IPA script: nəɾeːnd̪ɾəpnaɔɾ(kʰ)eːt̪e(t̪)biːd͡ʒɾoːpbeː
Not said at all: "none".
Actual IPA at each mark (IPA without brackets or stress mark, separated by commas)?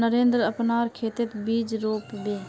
kʰ, t̪